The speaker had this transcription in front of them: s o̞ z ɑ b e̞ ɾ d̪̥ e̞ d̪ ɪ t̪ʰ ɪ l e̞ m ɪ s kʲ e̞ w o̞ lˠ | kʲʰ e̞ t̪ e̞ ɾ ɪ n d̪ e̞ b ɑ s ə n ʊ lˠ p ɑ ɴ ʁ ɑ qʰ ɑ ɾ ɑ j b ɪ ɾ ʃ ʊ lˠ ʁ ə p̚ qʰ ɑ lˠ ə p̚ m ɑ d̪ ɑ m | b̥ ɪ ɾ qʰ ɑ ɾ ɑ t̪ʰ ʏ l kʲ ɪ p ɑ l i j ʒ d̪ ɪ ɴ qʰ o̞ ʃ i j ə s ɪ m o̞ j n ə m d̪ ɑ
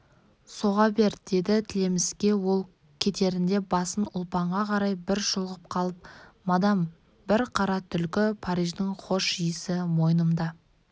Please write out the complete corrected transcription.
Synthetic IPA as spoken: s o̞ ʁ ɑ b e̞ ɾ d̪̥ e̞ d̪ ɪ t̪ʰ ɪ l e̞ m ɪ s kʲ e̞ w o̞ lˠ | kʲʰ e̞ t̪ e̞ ɾ ɪ n d̪ e̞ b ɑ s ə n ʊ lˠ p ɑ ɴ ʁ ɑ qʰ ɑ ɾ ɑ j b ɪ ɾ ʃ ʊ lˠ ʁ ə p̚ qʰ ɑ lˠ ə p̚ m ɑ d̪ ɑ m | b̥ ɪ ɾ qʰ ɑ ɾ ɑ t̪ʰ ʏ l kʲ ɪ pʰ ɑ ɾ i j ʒ d̪ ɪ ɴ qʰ o̞ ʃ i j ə s ɪ m o̞ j n ə m d̪ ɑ